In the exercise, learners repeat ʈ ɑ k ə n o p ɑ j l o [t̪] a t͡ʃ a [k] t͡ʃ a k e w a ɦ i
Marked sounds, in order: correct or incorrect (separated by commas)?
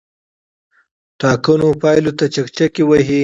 correct, correct